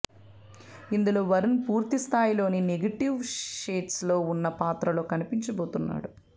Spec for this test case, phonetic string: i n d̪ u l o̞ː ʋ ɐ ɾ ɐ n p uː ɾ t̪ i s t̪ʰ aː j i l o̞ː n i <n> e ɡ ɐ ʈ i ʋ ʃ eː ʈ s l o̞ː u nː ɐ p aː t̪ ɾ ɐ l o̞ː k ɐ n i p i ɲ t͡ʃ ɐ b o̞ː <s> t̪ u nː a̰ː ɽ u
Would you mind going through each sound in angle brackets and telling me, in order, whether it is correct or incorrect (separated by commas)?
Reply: correct, incorrect